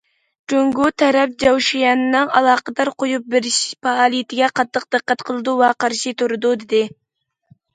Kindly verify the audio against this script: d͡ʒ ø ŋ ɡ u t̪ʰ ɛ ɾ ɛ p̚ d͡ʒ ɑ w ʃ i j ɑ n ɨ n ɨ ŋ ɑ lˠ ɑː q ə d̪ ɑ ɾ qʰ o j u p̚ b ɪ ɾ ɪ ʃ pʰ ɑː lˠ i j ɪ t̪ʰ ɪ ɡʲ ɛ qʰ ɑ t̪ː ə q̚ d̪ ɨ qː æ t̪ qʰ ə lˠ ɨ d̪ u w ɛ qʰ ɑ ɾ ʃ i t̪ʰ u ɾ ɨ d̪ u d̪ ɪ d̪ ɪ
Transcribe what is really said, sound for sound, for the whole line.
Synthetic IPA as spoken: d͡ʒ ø ŋ ɡ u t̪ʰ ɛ ɾ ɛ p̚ d͡ʒ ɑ w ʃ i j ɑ n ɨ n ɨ ŋ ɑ lˠ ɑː q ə d̪ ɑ ɾ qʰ o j u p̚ b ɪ ɾ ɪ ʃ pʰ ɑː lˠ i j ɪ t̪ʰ ɪ ɡʲ ɛ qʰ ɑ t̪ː ə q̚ d̪ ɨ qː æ t̪ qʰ ə lˠ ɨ d̪ u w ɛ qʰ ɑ ɾ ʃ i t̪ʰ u ɾ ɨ d̪ u d̪ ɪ d̪ ɪ